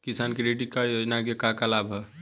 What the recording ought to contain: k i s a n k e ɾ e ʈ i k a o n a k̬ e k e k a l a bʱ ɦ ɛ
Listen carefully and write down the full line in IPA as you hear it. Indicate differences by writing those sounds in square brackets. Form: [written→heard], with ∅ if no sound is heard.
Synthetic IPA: k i s a n k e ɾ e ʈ i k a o n a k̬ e k [e→a] k a l a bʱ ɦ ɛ